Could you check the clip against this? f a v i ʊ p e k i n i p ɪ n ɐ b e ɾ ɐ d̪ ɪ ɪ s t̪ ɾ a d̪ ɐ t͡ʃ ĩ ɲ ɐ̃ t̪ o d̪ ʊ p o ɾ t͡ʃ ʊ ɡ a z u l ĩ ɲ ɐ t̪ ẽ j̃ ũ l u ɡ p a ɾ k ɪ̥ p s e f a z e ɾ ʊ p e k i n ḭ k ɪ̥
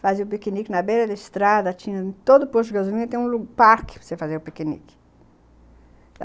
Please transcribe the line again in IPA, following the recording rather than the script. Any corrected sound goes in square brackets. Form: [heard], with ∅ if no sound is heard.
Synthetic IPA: f a [z] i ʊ p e k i n i [k] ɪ n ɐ b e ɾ ɐ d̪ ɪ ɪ s t̪ ɾ a d̪ ɐ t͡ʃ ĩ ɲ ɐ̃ t̪ o d̪ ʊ p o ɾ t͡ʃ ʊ ɡ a z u l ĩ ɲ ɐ t̪ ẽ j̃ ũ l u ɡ p a ɾ k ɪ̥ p s e f a z e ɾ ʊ p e k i n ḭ k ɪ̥